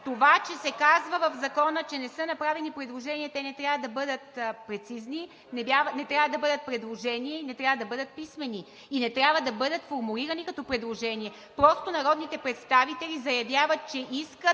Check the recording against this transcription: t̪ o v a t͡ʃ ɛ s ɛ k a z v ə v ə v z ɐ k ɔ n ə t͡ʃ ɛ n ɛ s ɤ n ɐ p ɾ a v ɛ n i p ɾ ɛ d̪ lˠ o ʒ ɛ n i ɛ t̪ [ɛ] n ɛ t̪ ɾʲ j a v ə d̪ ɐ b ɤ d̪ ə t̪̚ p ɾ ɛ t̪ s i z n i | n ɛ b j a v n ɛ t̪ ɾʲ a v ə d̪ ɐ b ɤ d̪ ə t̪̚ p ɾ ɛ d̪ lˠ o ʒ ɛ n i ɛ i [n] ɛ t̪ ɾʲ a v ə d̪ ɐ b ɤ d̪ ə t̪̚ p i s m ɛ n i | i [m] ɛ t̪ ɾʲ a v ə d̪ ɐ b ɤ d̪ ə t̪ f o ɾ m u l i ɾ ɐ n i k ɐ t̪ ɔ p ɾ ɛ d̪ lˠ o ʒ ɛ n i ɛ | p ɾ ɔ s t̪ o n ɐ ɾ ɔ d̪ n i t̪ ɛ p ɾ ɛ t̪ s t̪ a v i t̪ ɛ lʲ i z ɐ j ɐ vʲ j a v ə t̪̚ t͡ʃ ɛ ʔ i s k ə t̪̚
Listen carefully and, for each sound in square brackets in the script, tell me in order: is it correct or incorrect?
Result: correct, correct, incorrect

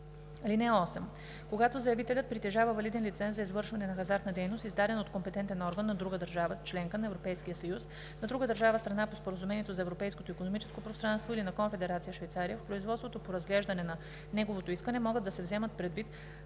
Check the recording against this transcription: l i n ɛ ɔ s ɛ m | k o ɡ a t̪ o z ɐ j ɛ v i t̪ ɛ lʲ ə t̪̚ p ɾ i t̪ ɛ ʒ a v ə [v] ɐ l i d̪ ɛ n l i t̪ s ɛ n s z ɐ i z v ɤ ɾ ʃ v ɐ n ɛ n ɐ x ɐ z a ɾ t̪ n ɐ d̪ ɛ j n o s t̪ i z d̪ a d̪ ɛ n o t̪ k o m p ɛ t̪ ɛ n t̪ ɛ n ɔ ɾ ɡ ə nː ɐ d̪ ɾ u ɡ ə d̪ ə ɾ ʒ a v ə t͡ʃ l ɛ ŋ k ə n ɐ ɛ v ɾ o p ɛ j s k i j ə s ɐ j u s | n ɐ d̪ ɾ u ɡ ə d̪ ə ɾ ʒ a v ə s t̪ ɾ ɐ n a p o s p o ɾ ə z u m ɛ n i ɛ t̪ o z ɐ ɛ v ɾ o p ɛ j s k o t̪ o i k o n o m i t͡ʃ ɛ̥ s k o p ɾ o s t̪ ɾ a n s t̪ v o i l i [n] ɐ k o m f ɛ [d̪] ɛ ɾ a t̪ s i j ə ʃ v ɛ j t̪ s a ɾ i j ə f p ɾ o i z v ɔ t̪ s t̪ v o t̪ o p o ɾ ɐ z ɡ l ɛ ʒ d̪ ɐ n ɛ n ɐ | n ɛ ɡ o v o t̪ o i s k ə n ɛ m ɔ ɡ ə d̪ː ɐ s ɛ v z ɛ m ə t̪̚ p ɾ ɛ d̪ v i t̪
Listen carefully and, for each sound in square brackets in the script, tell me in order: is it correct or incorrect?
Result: correct, correct, correct

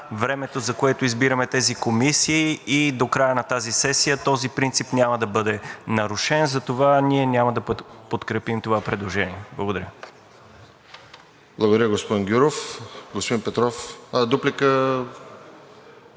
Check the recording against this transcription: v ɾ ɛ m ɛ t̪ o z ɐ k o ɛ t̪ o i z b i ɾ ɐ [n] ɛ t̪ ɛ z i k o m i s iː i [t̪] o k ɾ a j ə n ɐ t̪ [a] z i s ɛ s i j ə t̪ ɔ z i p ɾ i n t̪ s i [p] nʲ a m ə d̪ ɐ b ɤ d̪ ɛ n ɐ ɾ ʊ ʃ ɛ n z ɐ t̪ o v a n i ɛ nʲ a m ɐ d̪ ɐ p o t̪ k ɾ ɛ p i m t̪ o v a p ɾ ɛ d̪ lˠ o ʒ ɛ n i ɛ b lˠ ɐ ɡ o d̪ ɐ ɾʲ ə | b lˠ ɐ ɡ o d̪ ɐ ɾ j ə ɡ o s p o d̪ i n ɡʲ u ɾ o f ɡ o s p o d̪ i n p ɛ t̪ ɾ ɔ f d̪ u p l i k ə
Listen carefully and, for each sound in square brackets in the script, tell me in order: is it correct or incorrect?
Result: incorrect, incorrect, correct, correct

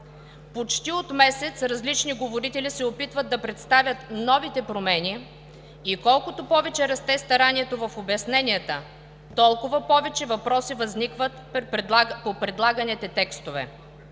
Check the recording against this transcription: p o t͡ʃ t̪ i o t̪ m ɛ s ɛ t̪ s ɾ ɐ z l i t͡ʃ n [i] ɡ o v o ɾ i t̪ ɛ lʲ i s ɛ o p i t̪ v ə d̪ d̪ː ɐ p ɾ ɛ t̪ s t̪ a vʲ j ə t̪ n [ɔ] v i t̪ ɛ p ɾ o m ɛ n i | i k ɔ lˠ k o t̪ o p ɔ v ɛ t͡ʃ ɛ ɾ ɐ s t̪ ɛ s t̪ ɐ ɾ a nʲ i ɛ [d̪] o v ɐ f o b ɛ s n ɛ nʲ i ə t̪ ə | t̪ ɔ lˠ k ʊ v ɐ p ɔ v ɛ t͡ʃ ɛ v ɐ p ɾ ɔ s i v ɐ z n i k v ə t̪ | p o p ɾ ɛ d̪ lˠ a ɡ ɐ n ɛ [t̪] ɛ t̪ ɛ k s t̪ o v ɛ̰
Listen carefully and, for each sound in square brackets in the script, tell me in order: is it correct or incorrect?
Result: correct, correct, incorrect, correct

